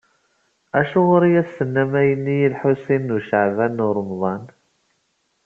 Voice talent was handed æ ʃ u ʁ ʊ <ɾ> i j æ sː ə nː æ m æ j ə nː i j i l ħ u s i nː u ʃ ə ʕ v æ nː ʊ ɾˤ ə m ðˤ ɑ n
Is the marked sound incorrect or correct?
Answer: correct